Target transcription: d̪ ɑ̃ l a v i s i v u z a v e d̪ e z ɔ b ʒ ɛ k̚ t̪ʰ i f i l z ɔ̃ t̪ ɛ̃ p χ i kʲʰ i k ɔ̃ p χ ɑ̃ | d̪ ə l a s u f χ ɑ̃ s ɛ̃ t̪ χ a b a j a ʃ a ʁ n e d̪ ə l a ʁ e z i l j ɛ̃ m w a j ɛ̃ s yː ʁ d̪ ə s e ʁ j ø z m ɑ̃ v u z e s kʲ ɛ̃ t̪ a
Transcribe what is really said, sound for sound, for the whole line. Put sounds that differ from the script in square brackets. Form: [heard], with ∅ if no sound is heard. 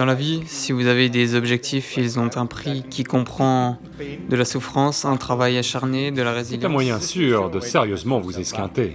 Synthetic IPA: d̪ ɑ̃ l a v i s i v u z a v e d̪ e z ɔ b ʒ ɛ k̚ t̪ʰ i f i l z ɔ̃ t̪ ɛ̃ p χ i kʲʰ i k ɔ̃ p χ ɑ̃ | d̪ ə l a s u f χ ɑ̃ s ɛ̃ t̪ χ a [v] a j a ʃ a ʁ n e d̪ ə l a ʁ e z i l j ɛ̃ m w a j ɛ̃ s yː ʁ d̪ ə s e ʁ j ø z m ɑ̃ v u z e s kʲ ɛ̃ t̪ [e]